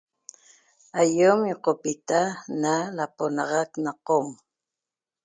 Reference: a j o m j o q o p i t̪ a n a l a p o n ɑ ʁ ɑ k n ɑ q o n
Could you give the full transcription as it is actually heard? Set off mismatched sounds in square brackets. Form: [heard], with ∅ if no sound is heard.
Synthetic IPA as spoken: a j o m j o q o p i t̪ a n a l a p o n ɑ ʁ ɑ k n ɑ q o [m]

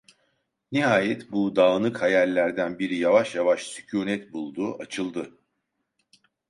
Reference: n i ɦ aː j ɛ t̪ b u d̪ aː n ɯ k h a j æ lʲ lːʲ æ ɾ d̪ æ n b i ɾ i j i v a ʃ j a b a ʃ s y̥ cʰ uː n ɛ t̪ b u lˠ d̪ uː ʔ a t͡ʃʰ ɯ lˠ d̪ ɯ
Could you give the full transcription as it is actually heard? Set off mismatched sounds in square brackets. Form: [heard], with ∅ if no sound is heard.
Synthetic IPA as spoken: n i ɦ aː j ɛ t̪ b u d̪ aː n ɯ k h a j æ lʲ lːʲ æ ɾ d̪ æ n b i ɾ i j [a] v a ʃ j a [v] a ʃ s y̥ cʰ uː n ɛ t̪ b u lˠ d̪ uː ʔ a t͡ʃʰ ɯ lˠ d̪ ɯ

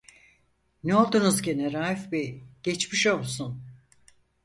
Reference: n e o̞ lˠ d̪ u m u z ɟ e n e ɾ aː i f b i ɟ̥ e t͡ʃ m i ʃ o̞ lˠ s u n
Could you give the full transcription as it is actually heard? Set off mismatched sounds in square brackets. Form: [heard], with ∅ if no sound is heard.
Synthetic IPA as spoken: n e o̞ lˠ d̪ u [n] u z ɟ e n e ɾ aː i f b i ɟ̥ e t͡ʃ m i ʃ o̞ lˠ s u n

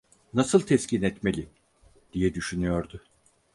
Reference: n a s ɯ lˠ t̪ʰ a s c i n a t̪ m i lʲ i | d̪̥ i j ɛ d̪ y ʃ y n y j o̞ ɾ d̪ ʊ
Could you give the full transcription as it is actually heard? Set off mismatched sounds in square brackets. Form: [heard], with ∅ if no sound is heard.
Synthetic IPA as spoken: n a s ɯ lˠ t̪ʰ [ɛ] s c i n [ɛ] t̪ m [e] lʲ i | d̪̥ i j ɛ d̪ y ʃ y n y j o̞ ɾ d̪ ʊ

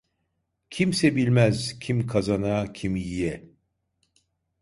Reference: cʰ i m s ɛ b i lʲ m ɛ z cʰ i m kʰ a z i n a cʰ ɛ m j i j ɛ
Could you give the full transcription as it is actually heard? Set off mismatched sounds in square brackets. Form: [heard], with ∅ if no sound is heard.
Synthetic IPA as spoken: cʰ i m s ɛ b i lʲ m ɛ z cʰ i m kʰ a z [a] n a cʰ [i] m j i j ɛ

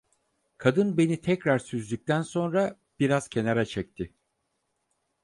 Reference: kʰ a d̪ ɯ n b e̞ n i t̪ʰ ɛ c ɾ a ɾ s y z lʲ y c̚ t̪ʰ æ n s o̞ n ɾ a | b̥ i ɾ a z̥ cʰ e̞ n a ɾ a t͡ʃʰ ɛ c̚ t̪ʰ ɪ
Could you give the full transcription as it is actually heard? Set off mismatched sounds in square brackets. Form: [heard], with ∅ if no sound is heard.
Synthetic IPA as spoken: kʰ a d̪ ɯ n b e̞ n i t̪ʰ ɛ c ɾ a ɾ s y z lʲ y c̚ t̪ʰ æ n s o̞ n ɾ a | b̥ i ɾ a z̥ cʰ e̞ n a ɾ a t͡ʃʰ ɛ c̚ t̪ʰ ɪ

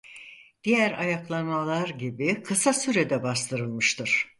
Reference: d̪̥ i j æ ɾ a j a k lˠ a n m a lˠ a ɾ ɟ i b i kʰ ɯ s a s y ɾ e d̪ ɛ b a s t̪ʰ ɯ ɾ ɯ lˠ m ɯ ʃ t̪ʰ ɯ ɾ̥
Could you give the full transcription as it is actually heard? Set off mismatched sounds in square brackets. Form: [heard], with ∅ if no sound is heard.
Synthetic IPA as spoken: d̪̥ i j æ ɾ a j a k lˠ a n m a lˠ a ɾ ɟ i b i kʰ ɯ s a s y ɾ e d̪ ɛ b a s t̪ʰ ɯ ɾ ɯ lˠ m ɯ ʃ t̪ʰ ɯ ɾ̥

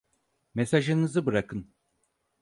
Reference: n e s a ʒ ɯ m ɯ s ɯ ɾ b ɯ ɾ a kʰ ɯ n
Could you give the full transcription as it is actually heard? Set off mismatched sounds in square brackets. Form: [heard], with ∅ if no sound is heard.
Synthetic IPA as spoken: [m] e s a ʒ ɯ [n] ɯ [z] ɯ [∅] b ɯ ɾ a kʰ ɯ n

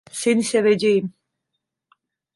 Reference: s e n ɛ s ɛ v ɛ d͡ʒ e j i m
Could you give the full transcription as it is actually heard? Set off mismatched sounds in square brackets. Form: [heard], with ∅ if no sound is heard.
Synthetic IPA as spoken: s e n [i] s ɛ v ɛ d͡ʒ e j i m

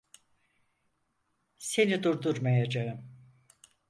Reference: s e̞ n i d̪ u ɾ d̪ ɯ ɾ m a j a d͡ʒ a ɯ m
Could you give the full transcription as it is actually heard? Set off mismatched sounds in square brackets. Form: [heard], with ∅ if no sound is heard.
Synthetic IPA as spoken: s e̞ n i d̪ u ɾ d̪ [u] ɾ m a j a d͡ʒ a ɯ m

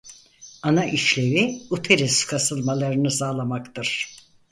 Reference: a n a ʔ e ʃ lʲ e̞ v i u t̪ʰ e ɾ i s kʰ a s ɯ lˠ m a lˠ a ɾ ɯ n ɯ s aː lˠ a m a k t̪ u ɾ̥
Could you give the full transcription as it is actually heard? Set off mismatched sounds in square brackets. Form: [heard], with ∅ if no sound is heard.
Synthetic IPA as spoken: a n a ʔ [i] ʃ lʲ e̞ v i u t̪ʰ e ɾ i s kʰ a s ɯ lˠ m a lˠ a ɾ ɯ n ɯ s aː lˠ a m a k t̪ [ɯ] ɾ̥

